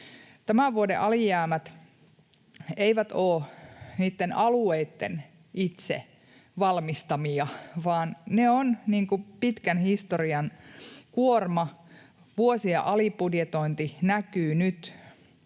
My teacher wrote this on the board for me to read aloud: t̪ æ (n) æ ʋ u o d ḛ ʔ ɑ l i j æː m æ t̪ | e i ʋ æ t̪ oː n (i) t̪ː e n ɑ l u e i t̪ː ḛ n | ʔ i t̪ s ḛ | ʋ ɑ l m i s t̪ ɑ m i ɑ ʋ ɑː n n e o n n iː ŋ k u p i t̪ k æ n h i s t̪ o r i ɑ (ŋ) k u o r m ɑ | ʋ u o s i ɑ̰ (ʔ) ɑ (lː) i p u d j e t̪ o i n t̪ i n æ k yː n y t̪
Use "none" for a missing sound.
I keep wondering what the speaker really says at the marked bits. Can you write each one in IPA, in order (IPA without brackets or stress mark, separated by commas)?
m, iː, n, ʔ, l